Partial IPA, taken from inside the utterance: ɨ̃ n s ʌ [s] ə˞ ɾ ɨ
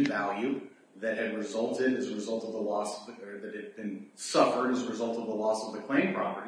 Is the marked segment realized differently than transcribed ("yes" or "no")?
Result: yes